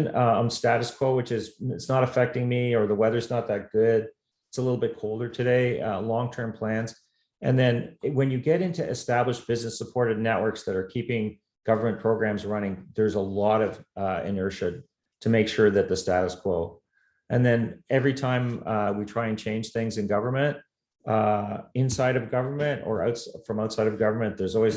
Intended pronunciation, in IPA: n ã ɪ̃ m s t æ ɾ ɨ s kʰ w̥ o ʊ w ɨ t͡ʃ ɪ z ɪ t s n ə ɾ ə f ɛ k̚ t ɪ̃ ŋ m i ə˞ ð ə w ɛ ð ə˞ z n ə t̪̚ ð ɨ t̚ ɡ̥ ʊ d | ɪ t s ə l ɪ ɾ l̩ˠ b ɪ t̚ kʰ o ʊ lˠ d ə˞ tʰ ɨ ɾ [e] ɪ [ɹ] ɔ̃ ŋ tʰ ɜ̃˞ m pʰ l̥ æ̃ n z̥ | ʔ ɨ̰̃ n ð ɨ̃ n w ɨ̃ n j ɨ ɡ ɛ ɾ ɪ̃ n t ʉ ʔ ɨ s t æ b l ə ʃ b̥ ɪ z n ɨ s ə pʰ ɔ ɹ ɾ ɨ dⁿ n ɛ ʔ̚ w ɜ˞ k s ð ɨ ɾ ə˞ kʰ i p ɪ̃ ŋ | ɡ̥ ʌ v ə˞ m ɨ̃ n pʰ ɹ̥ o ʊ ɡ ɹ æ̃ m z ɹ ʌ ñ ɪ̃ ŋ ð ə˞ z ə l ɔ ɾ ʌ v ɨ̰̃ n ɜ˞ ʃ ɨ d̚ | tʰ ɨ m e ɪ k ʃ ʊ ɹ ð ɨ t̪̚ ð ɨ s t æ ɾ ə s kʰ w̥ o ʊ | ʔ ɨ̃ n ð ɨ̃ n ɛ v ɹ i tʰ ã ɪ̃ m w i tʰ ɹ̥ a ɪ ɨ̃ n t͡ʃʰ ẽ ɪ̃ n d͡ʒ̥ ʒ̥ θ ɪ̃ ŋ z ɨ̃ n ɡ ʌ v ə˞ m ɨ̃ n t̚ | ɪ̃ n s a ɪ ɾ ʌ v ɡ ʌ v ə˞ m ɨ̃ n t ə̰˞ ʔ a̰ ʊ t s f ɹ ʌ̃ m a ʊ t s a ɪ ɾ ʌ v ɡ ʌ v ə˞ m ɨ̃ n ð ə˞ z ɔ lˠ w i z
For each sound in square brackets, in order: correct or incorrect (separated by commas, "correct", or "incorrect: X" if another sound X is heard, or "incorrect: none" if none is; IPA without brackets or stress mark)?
correct, incorrect: l